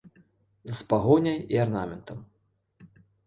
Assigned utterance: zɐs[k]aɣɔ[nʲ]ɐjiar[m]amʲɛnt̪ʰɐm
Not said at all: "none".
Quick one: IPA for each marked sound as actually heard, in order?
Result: p, nʲ, n

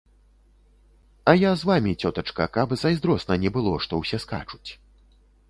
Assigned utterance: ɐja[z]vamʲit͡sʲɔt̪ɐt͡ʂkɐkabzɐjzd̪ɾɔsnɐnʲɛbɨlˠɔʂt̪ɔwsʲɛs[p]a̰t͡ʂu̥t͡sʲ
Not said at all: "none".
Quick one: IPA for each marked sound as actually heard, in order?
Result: z, k

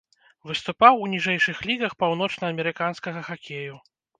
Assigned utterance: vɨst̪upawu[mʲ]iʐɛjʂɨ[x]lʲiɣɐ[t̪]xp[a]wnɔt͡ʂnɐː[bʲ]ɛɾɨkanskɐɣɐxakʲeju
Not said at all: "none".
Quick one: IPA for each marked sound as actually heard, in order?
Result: nʲ, x, none, a, mʲ

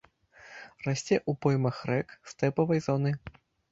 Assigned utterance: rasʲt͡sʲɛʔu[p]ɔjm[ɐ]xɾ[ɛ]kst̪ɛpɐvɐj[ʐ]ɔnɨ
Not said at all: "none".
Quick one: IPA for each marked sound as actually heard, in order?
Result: p, ɐ, ɛ, z

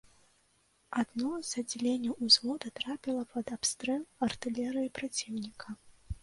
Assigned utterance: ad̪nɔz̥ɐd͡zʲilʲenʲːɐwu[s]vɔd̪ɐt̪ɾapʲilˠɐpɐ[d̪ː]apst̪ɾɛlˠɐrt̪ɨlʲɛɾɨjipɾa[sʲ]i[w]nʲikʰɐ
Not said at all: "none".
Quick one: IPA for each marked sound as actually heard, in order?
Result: z, d̪, t͡sʲ, w

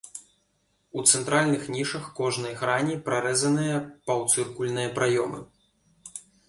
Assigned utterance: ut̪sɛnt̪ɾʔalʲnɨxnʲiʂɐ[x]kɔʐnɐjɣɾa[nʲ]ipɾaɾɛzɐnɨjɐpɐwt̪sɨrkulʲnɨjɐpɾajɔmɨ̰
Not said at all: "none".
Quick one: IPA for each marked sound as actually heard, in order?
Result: x, nʲ

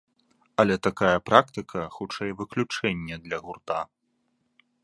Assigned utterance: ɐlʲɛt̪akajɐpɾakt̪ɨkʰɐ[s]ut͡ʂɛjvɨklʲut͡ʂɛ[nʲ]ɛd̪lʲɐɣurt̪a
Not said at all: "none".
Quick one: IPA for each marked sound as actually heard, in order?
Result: x, nʲː

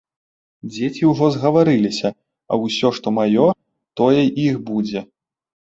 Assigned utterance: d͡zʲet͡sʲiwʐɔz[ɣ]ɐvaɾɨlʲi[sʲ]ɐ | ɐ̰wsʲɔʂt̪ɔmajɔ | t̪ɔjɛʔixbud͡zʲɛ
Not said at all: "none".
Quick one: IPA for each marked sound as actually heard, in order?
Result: ɣ, sʲ

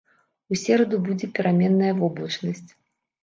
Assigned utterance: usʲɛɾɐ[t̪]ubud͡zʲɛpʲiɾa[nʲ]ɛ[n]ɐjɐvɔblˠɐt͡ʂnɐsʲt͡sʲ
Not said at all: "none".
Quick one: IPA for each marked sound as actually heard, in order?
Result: d̪, mʲ, nː

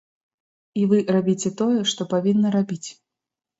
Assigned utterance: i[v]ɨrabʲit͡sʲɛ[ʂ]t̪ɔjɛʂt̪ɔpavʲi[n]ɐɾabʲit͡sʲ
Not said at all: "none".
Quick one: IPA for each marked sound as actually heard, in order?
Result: v, none, nː

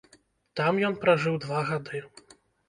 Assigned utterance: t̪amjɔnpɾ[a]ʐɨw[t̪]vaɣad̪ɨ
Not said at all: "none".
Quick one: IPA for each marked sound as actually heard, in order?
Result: a, d̪

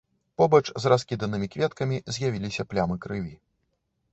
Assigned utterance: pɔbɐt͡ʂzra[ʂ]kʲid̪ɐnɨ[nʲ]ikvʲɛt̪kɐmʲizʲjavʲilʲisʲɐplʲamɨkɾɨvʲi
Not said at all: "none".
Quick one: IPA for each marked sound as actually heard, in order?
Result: s, mʲ

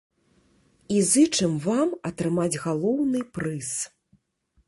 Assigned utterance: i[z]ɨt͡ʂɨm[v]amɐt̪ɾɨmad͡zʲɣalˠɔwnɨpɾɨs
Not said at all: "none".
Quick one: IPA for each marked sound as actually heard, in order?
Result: z, v

